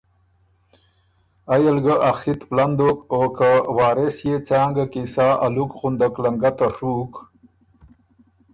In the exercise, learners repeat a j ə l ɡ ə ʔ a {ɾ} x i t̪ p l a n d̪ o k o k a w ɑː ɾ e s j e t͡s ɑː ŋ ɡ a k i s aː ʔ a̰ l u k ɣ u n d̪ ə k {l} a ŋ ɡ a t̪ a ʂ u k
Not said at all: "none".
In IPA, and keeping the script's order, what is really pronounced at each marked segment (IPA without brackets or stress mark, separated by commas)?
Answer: none, l